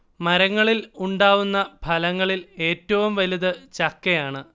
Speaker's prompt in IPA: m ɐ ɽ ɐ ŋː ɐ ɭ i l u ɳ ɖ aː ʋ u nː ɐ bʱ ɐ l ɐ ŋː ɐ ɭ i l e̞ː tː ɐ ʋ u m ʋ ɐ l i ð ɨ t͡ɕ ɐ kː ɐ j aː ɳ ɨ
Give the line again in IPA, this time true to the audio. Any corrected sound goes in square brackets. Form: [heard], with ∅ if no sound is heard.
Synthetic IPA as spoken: m ɐ [ɾ] ɐ ŋː ɐ ɭ i l u ɳ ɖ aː ʋ u nː ɐ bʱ ɐ l ɐ ŋː ɐ ɭ i l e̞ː tː ɐ ʋ u m ʋ ɐ l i ð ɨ t͡ɕ ɐ kː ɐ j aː ɳ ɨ